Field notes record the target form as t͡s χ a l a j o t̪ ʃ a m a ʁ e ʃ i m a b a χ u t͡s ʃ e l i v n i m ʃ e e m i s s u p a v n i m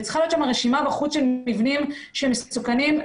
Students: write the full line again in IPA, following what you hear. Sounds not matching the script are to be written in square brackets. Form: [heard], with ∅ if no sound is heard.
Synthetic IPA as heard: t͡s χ a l [i] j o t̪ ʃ a m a ʁ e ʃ i m a b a χ u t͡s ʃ e l i v n i m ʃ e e m [e] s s u [k] a [∅] n i m

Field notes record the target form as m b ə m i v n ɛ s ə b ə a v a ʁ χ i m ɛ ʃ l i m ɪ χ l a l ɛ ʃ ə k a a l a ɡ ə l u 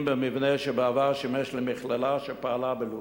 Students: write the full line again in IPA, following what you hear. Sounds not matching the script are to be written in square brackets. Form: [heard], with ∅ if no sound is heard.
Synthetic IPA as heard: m b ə m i v n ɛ [ʃ] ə b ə a v a ʁ [ʃ] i m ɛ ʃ l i m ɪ χ l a l [a] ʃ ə [p] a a l a [b] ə l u

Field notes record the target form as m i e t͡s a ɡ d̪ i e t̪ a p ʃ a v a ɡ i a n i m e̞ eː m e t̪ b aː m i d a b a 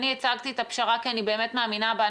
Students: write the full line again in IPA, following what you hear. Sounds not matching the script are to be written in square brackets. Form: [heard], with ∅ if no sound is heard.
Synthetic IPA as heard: [n] i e t͡s a ɡ [t̪] i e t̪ a p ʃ a [ʁ] a [k] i a n i [b] e̞ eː m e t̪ [m] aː m i [n] a b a

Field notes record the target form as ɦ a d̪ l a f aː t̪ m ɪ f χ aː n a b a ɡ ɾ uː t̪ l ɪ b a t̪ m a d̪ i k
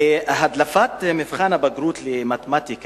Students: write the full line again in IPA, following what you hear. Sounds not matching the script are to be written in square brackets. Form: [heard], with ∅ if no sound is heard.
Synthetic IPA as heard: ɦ a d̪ l a f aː t̪ m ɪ f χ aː n a b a ɡ ɾ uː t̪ l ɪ [m] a t̪ m a [t̪] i k

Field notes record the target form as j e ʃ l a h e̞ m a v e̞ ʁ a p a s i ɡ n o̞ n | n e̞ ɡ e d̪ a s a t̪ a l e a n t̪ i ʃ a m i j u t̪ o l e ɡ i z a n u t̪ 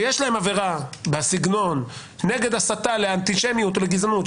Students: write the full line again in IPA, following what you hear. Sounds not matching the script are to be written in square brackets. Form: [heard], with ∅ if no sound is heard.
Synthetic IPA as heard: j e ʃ l a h e̞ m a v e̞ ʁ a [b] a s i ɡ n o̞ n | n e̞ ɡ e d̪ a s a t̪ a l e a n t̪ i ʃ [e] m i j u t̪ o l e ɡ i z a n u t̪

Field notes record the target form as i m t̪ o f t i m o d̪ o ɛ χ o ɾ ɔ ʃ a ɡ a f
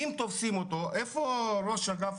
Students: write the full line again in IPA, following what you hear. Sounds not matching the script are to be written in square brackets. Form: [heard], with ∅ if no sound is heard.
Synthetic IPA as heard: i m t̪ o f [s] i m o [t̪] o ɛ [f] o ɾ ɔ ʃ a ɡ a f

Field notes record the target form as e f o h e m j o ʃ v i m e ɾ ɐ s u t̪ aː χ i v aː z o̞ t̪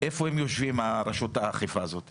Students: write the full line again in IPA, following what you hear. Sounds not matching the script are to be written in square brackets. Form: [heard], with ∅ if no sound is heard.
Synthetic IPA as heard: e f o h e m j o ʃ v i m [a] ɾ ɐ [ʃ] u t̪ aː χ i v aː z o̞ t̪

